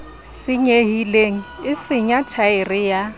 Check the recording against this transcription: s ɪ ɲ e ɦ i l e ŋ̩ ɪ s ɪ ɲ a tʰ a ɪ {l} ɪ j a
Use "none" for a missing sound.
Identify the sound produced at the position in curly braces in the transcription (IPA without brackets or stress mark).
r